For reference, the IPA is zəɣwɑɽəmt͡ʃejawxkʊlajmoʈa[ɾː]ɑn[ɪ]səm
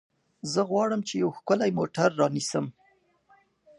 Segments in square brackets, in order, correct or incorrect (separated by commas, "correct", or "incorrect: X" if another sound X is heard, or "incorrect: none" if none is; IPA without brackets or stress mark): correct, incorrect: i